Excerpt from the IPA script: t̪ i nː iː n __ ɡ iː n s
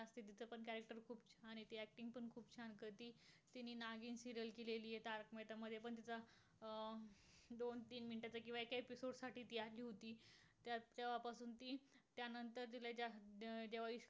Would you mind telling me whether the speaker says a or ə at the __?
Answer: a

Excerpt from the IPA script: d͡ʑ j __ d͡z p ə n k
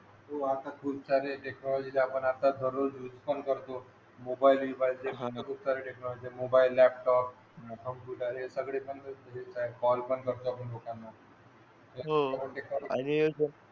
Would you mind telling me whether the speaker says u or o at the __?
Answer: u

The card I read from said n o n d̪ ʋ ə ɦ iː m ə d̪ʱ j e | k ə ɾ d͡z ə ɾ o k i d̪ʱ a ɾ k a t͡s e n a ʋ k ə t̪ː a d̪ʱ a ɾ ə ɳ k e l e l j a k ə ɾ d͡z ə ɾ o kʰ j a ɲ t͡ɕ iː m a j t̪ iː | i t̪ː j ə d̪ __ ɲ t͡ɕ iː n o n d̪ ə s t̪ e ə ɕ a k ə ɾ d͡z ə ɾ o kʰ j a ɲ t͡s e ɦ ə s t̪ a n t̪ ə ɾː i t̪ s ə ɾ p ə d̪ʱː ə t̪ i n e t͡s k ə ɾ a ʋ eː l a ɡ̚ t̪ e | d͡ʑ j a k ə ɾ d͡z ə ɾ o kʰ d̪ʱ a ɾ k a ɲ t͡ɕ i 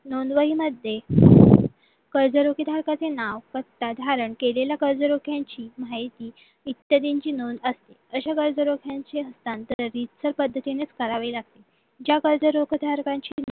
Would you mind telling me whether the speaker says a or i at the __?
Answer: i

